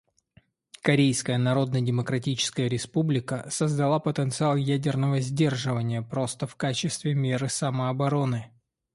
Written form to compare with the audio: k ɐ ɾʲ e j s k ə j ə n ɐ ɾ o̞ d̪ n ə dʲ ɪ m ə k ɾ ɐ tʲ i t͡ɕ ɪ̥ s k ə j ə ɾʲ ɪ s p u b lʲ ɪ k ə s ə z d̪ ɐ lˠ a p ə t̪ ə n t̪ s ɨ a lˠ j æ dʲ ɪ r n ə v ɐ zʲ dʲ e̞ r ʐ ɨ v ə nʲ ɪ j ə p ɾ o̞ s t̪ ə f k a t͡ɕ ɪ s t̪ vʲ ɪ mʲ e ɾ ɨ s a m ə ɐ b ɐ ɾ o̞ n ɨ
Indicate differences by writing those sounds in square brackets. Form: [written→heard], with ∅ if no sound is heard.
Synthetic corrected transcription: k ɐ ɾʲ e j s k ə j ə n ɐ ɾ o̞ d̪ n ə dʲ ɪ m ə k ɾ ɐ tʲ i t͡ɕ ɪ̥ s k ə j ə ɾʲ ɪ s p u b lʲ ɪ k ə s ə z d̪ ɐ lˠ a p ə t̪ ə n t̪ s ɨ a lˠ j æ dʲ ɪ r n ə v [ɐ→ə] zʲ dʲ e̞ r ʐ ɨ v ə nʲ ɪ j ə p ɾ o̞ s t̪ ə f k a t͡ɕ ɪ s t̪ vʲ ɪ mʲ e ɾ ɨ s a m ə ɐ b ɐ ɾ o̞ n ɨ